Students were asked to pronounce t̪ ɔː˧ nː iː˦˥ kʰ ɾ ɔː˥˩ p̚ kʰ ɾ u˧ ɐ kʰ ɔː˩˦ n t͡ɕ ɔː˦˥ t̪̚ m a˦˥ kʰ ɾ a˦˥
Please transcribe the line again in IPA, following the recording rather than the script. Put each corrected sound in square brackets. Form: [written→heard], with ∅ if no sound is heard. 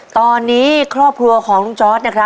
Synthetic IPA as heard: t̪ ɔː˧ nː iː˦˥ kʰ ɾ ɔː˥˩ p̚ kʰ ɾ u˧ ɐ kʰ ɔː˩˦ [n→ŋ] t͡ɕ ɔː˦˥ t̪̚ [m→n] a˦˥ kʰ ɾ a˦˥